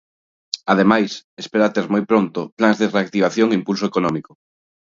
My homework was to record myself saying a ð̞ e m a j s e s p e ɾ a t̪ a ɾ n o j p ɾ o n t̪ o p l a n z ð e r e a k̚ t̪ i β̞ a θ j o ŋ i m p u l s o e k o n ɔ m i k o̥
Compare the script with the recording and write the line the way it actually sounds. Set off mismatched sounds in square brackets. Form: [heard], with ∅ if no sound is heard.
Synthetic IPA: a ð̞ e m a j s e s p e ɾ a t̪ [e] ɾ [m] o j p ɾ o n t̪ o p l a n z ð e r e a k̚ t̪ i β̞ a θ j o ŋ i m p u l s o e k o n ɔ m i k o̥